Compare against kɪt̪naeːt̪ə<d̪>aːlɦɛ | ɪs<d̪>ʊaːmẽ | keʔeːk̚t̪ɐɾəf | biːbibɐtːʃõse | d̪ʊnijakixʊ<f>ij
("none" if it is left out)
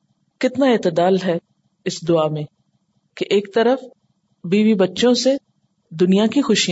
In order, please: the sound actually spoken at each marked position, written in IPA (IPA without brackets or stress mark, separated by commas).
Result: d̪, d̪, ʃ